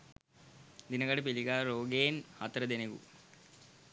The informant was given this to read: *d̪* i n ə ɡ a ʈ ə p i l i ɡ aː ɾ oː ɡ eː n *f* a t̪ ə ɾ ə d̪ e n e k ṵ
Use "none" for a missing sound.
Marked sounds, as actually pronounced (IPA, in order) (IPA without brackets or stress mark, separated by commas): d̪, h